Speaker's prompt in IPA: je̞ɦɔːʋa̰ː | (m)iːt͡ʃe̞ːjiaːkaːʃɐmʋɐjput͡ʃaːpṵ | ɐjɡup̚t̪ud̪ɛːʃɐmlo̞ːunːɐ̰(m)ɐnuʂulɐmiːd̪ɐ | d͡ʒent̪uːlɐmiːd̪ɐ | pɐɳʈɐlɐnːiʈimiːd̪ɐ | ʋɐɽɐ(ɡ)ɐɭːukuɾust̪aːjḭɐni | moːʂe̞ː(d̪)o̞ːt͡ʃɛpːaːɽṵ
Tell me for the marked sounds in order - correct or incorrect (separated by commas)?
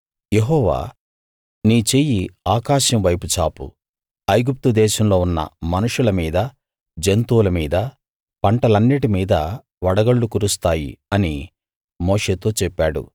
incorrect, correct, correct, incorrect